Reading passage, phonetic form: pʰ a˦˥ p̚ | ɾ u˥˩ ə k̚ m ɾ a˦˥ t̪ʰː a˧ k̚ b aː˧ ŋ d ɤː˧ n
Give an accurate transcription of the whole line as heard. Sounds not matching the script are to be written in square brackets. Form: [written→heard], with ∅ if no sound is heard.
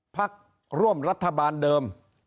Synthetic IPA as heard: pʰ a˦˥ [p̚→k̚] | ɾ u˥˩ ə [k̚→∅] m ɾ a˦˥ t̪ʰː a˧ [k̚→∅] b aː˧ [ŋ→n] d ɤː˧ [n→m]